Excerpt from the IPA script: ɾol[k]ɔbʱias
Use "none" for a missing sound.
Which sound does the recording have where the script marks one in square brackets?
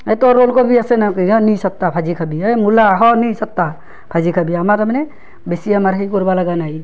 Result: k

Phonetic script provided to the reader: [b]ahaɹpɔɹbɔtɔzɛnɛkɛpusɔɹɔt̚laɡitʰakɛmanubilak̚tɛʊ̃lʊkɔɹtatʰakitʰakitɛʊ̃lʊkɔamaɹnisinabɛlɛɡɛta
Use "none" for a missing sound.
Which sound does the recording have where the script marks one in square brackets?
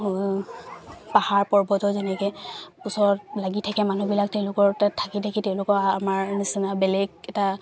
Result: p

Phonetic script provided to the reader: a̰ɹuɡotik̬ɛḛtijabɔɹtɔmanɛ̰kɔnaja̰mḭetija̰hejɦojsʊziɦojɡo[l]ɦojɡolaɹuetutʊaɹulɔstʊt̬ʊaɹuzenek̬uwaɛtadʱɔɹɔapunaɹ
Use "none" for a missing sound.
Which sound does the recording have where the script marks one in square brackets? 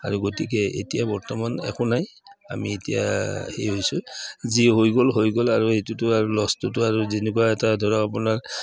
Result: l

